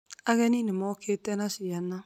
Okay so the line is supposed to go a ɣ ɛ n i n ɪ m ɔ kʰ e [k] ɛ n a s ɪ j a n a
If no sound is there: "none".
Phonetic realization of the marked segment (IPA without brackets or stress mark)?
t